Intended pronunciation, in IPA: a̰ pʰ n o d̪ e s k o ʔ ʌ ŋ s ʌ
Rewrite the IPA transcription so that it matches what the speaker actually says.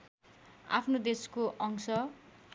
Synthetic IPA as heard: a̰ pʰ n o d̪ e s k o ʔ ʌ ŋ s ʌ